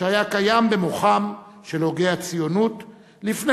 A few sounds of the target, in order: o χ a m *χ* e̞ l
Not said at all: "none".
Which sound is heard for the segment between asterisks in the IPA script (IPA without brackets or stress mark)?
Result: ʃ